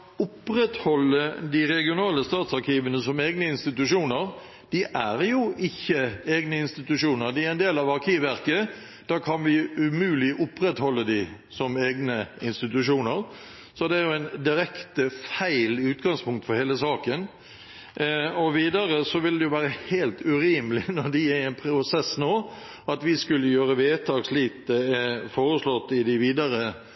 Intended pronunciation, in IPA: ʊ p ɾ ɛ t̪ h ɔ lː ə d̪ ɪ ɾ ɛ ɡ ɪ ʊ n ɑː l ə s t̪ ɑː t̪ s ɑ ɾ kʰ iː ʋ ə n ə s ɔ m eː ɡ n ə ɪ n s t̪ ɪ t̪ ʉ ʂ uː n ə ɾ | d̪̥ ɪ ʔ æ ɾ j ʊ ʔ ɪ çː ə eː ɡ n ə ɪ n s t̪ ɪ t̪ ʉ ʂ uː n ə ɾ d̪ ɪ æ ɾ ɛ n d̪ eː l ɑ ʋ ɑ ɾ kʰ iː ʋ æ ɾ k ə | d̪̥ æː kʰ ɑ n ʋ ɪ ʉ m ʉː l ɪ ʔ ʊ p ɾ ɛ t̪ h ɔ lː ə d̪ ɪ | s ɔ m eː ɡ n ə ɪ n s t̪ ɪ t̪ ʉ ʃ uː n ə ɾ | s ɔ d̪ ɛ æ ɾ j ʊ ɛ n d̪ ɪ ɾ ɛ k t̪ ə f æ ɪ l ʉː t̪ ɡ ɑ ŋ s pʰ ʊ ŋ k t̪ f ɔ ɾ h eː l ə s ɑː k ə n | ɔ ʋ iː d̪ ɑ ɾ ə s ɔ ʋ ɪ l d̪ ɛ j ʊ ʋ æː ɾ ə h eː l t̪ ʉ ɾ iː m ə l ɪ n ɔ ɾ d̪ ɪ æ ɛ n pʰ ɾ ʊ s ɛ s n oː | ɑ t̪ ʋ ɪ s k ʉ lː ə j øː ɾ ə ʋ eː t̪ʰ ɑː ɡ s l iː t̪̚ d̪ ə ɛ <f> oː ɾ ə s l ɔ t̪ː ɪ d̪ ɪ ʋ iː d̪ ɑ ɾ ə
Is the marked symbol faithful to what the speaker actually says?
yes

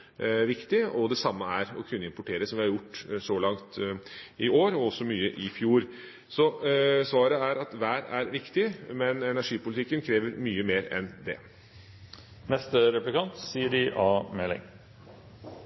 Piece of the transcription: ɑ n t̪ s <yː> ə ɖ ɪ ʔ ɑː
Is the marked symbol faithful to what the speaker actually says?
no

